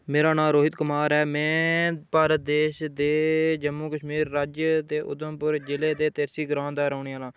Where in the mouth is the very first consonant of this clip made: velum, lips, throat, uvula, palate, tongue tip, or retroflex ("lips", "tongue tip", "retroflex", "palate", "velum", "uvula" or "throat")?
lips